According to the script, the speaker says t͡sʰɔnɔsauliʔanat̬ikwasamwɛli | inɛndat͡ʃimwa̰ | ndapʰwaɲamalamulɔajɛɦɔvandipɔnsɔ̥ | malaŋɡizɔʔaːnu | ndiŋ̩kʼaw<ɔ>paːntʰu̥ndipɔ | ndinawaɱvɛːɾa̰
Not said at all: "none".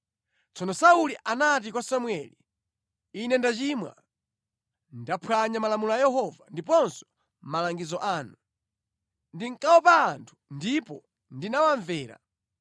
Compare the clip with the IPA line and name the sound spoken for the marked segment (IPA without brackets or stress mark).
ɔ